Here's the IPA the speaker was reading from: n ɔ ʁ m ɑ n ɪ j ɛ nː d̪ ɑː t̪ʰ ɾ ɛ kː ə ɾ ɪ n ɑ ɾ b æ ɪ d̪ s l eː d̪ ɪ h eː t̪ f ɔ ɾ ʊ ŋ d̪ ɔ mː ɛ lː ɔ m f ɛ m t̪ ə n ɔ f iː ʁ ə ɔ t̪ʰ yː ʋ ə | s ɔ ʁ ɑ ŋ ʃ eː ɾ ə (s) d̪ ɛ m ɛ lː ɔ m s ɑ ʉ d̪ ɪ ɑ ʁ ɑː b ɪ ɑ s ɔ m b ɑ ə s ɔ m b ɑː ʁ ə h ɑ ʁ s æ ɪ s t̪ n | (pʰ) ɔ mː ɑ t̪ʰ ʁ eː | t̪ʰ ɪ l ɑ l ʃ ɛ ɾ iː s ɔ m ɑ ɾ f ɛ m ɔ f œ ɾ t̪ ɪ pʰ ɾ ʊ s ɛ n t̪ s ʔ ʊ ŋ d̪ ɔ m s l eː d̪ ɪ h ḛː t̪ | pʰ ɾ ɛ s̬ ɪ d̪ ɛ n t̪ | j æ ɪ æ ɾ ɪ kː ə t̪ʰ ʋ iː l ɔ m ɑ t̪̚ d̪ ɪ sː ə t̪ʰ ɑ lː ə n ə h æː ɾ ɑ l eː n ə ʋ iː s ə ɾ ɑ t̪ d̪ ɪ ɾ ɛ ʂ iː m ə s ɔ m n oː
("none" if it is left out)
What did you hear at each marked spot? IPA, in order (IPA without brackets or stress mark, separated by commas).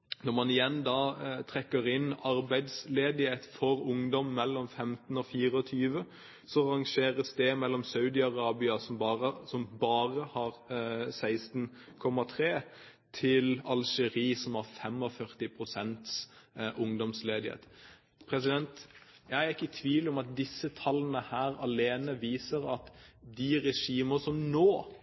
s, kʰ